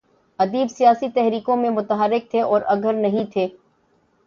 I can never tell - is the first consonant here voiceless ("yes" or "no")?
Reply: no